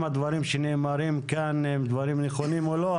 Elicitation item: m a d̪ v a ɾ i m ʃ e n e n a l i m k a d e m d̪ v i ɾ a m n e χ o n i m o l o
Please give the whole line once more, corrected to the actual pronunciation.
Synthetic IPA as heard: m a d̪ v a ɾ i m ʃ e n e m a ɾ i m k a n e m d̪ v a ɾ i m n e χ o n i m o l o